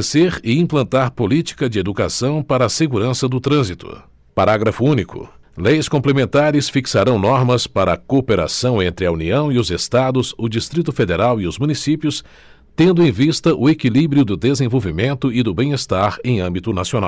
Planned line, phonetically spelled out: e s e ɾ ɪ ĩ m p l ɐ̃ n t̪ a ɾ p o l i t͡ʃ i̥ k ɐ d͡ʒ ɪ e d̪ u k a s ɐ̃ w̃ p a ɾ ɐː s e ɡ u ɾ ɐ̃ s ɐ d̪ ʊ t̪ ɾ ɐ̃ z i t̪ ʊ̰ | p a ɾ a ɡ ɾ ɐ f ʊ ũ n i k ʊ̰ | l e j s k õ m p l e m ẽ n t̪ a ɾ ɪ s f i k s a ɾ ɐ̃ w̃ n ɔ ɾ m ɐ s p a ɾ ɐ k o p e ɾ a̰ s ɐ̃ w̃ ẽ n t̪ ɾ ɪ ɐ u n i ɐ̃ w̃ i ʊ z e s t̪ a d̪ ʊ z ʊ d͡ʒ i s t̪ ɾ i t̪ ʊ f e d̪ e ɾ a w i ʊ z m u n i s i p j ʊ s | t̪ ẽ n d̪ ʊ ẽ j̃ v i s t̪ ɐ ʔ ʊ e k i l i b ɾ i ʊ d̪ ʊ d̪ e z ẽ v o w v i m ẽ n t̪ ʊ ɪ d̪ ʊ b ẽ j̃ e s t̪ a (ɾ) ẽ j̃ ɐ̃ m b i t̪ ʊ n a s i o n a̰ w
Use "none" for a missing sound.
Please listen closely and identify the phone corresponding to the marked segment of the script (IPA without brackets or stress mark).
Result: ɾ